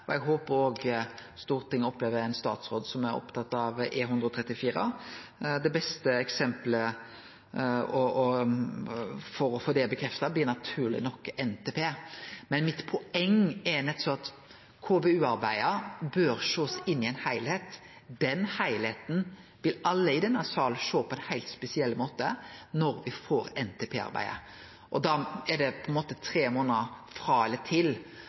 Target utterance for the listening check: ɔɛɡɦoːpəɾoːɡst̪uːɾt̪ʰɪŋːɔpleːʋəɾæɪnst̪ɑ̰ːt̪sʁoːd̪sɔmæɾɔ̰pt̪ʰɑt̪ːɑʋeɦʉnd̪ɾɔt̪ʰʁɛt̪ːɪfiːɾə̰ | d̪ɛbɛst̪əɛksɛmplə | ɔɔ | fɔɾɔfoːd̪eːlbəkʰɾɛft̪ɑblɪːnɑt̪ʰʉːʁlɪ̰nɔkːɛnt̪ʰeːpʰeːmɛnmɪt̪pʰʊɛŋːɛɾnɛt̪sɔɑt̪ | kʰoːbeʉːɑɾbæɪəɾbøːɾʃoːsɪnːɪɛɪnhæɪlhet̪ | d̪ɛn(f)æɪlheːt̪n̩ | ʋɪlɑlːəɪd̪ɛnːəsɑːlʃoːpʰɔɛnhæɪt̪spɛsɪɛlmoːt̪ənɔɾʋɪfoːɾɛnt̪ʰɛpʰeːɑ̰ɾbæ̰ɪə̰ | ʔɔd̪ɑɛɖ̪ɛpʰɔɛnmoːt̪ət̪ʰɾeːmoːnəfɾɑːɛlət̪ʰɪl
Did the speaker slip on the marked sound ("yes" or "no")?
yes